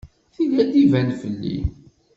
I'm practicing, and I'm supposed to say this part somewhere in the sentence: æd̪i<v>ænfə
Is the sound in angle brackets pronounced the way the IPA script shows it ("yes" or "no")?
yes